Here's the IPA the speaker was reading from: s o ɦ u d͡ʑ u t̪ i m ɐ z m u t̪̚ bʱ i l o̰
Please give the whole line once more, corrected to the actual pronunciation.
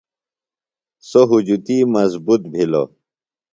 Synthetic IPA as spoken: s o ɦ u d͡ʑ u t̪ i m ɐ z b u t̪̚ bʱ i l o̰